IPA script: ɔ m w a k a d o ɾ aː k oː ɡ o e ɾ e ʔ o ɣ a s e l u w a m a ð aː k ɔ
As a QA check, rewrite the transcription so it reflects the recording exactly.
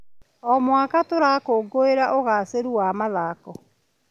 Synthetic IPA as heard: ɔ m w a k a t o ɾ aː k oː ɡ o e ɾ a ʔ o ɣ a s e ɾ u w a m a ð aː k ɔ